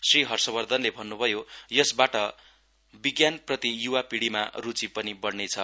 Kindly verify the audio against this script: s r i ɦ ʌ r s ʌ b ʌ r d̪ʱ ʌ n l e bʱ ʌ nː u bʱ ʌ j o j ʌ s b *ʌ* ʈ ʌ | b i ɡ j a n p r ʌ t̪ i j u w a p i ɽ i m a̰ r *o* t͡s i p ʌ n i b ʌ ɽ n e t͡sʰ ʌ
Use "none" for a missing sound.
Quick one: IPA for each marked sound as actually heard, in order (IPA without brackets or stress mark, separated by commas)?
a, u